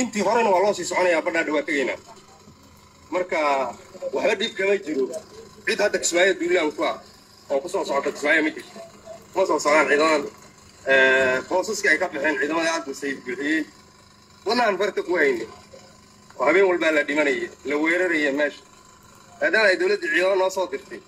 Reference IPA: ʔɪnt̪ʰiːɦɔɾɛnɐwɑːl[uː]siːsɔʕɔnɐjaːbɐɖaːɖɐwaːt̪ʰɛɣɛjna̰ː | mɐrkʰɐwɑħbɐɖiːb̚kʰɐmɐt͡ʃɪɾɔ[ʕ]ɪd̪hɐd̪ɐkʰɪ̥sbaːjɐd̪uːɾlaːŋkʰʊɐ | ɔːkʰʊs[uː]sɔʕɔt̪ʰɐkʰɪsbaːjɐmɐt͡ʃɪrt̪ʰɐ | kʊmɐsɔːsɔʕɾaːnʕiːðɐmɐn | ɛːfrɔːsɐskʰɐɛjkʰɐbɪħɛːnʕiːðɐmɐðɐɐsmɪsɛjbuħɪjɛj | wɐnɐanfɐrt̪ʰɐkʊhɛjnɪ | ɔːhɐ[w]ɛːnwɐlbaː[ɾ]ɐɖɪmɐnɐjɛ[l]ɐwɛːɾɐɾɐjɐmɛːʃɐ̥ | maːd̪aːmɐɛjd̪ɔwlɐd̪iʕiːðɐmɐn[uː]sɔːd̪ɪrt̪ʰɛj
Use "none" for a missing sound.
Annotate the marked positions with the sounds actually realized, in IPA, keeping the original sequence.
ɔː, ʕ, ɔː, β, l, l, ɔː

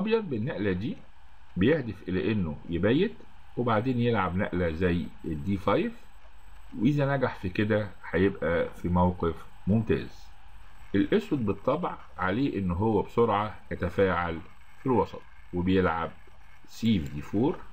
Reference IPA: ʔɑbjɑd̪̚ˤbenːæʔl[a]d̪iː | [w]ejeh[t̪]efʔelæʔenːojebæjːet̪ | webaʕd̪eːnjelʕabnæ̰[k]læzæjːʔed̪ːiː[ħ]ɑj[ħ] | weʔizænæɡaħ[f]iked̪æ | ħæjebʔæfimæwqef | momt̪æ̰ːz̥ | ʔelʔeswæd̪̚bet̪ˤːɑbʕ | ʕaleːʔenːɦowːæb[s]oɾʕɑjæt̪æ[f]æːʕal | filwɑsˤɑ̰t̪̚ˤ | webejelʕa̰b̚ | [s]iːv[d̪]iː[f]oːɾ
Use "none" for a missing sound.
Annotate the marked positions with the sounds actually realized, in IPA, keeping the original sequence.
æ, b, d̪, ʔ, f, f, f, s, f, s, d̪, f

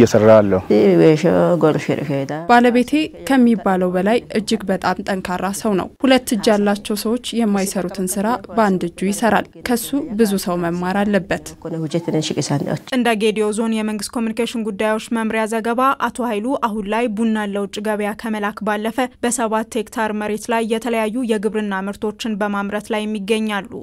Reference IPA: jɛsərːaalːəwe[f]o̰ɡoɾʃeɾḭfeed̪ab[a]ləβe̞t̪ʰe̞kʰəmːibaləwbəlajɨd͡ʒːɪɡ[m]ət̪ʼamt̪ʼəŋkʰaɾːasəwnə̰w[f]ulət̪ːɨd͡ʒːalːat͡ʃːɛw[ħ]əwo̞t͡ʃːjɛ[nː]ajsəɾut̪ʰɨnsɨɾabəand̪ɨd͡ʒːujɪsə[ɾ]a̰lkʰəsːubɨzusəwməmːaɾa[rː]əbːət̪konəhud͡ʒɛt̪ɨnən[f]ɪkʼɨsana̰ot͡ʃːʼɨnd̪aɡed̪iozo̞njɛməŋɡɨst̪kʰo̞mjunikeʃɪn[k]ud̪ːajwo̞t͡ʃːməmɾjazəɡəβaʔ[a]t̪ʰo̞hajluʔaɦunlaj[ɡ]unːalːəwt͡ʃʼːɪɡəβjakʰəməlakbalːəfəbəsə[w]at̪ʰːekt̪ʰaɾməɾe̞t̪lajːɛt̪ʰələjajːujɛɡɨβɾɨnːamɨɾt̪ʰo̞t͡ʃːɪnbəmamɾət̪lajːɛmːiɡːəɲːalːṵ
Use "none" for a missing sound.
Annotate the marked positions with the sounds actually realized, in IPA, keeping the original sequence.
ʃ, a, b, h, s, mː, ɾ, lː, ʃ, ɡ, a, b, β

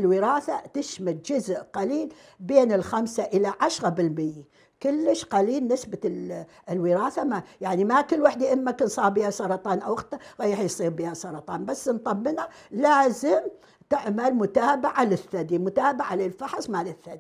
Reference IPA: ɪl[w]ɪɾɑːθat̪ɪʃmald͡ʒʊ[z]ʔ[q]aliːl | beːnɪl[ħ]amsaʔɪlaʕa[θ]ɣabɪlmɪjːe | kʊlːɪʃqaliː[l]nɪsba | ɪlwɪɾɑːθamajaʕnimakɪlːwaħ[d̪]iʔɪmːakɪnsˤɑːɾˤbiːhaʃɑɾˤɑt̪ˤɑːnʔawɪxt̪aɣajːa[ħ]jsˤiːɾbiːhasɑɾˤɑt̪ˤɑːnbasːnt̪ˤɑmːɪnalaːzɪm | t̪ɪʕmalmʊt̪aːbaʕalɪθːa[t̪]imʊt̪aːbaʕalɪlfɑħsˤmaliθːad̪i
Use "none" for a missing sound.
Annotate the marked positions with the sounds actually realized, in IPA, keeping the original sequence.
w, z, q, x, ʃ, l, d̪, ħ, d̪

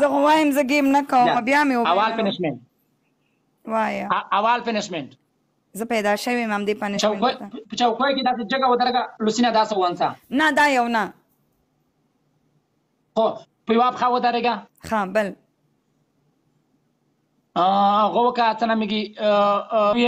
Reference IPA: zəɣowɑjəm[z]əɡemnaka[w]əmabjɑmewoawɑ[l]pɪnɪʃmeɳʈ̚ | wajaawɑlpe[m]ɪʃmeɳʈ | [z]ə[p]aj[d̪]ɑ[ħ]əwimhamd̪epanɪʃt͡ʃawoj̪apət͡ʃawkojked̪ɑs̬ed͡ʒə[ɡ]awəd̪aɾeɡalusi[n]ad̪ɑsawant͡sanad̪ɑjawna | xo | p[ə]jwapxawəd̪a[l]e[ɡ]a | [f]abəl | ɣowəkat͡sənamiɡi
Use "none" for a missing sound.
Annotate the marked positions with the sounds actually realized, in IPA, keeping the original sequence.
z, w, l, n, z, p, d̪, ʃ, ɡ, n, ə, ɾ, ɡ, x

